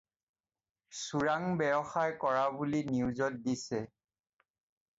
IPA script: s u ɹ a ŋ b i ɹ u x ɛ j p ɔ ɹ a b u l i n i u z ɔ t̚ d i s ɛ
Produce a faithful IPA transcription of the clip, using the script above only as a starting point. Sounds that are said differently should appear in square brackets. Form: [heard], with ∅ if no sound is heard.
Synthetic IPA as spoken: s u ɹ a ŋ b [ɛ] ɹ [ɔ] x [a] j [k] ɔ ɹ a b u l i n i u z ɔ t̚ d i s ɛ